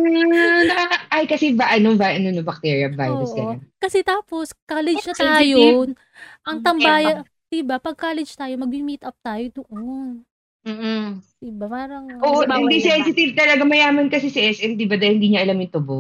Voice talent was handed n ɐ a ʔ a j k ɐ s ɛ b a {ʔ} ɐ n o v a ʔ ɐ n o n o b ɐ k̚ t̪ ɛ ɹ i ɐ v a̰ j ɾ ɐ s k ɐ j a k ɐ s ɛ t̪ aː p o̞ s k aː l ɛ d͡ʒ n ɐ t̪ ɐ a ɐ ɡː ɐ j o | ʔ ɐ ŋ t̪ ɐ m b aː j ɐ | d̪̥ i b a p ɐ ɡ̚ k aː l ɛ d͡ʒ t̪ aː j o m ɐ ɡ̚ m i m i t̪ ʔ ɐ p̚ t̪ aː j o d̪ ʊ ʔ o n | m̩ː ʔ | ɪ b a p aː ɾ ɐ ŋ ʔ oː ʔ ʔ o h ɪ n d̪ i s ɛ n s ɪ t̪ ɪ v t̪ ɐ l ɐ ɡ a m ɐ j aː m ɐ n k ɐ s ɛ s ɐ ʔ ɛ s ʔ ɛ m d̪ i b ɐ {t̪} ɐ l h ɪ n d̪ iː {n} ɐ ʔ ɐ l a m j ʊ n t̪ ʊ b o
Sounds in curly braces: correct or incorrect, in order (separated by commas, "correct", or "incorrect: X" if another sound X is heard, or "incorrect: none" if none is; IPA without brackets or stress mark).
correct, incorrect: d̪, incorrect: ɲ